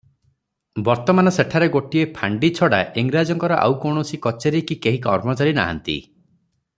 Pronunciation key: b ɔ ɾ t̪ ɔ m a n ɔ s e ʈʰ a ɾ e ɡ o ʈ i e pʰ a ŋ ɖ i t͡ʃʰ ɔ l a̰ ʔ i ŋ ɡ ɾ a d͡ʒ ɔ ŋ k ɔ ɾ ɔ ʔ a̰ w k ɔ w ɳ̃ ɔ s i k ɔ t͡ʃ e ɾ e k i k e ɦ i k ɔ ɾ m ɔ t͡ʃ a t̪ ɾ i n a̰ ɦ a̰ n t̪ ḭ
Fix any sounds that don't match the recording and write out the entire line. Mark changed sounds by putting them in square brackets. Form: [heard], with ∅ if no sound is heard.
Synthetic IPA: b ɔ ɾ t̪ ɔ m a n ɔ s e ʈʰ a ɾ e ɡ o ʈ i e pʰ a [ɳ] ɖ i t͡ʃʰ ɔ [ɽ] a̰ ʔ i ŋ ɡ ɾ a d͡ʒ ɔ ŋ k ɔ ɾ ɔ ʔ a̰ w k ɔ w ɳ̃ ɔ s i k ɔ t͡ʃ e ɾ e k i k e ɦ i k ɔ ɾ m ɔ t͡ʃ a [∅] ɾ i n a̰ ɦ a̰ n t̪ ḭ